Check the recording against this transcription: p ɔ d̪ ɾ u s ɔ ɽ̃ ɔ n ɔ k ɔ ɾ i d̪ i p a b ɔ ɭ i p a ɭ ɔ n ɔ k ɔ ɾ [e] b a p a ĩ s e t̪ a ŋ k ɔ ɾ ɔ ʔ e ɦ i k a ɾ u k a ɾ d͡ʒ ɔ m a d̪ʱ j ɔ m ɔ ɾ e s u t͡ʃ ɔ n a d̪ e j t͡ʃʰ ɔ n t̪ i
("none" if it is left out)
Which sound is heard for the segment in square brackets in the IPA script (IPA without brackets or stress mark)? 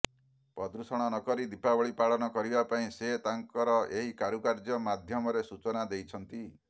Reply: i